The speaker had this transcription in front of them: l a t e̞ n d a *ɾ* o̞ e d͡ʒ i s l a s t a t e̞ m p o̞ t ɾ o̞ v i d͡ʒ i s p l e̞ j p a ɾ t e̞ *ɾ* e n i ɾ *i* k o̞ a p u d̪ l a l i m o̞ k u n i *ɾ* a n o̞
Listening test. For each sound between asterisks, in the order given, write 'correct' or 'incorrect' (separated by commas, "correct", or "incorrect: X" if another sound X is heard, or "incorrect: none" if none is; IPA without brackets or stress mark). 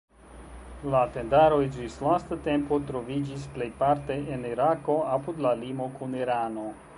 correct, incorrect: none, incorrect: a, correct